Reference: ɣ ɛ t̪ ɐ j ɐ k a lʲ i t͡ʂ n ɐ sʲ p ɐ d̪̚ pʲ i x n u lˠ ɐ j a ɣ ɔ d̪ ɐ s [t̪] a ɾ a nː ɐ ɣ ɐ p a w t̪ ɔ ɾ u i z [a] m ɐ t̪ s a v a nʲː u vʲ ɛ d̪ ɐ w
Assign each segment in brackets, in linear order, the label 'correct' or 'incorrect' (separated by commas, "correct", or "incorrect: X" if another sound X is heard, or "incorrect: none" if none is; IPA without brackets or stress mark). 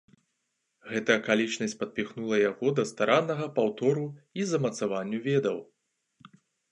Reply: correct, incorrect: ɐ